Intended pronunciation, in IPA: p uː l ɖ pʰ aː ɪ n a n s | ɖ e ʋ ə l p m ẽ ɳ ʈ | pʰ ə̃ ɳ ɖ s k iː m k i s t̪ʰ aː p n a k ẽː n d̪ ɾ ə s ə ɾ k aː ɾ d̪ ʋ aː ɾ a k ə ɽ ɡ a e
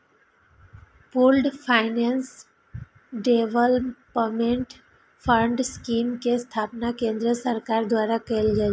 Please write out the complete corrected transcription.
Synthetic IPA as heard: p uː l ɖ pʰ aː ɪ n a n s | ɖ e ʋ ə l p m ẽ ɳ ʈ | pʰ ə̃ ɳ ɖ s k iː m k e s t̪ʰ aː p n a k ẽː n d̪ ɾ ə s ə ɾ k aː ɾ d̪ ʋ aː ɾ a k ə l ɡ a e